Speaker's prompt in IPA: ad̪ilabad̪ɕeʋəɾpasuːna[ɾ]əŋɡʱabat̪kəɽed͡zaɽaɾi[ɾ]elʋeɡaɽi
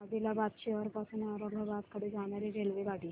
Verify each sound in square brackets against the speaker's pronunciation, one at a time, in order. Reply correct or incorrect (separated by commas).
correct, correct